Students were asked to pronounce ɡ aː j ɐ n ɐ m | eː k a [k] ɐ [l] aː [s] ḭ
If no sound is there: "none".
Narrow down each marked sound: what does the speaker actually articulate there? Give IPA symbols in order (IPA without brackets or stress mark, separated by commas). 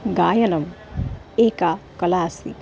k, l, s